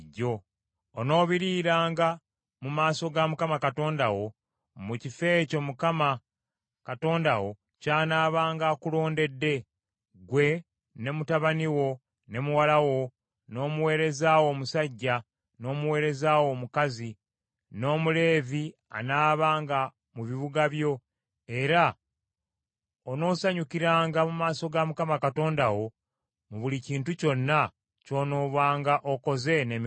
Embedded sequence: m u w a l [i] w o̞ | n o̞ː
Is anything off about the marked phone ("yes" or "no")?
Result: yes